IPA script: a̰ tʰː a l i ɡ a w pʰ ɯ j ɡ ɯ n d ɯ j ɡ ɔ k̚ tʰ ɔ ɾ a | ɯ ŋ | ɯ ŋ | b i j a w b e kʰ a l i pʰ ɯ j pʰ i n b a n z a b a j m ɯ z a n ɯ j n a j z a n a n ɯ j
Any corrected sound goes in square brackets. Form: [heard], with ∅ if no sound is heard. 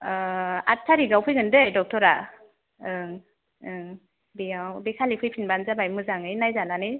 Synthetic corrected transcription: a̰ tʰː a [ɾ] i ɡ a w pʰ ɯ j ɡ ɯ n d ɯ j [d] ɔ k̚ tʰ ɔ ɾ a | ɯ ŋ | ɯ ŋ | b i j a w b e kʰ a l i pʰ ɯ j pʰ i n b a n z a b a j m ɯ z a [ŋ] ɯ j n a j z a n a n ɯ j